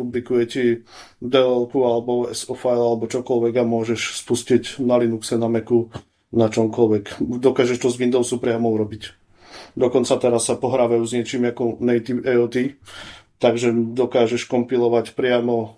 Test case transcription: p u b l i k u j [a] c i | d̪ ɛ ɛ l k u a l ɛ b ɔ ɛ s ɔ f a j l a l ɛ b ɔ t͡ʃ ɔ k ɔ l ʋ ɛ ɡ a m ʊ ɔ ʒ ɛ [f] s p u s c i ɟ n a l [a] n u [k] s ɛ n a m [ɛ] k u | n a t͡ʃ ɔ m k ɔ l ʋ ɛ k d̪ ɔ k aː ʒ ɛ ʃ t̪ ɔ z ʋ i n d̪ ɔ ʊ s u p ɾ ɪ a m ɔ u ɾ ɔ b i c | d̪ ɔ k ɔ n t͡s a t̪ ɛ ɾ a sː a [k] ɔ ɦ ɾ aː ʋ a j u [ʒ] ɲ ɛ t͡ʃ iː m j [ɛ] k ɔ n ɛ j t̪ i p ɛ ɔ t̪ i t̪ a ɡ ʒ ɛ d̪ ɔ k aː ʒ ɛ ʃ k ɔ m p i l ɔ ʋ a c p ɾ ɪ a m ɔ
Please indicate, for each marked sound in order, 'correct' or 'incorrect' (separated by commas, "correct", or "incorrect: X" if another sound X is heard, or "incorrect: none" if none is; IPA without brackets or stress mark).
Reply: incorrect: ɛ, incorrect: ʃ, incorrect: i, correct, correct, incorrect: p, incorrect: z, incorrect: a